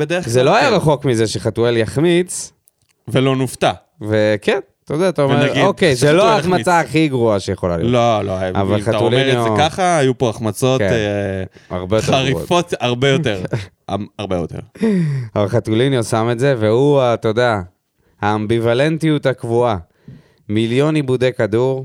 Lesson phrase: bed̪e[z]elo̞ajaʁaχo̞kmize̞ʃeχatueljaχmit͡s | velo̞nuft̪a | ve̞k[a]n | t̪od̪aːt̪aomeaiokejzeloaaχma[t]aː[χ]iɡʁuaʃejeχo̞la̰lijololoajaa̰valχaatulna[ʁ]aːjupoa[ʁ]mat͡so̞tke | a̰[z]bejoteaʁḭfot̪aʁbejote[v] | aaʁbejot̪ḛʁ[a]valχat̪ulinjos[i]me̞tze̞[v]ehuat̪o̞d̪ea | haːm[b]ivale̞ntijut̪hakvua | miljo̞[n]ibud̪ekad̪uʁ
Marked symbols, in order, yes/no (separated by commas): yes, no, no, yes, no, no, no, no, yes, no, yes, yes, yes